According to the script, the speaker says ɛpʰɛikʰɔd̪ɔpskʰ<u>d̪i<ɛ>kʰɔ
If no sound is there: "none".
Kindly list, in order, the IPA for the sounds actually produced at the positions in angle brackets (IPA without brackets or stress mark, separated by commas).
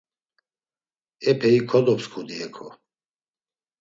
u, ɛ